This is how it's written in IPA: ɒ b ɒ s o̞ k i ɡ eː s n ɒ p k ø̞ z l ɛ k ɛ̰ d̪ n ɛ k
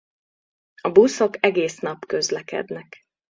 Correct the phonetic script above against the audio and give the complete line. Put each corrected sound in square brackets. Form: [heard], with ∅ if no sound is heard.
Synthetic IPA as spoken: ɒ b [u] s o̞ k [ɛ] ɡ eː s n ɒ p k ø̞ z l ɛ k ɛ̰ d̪ n ɛ k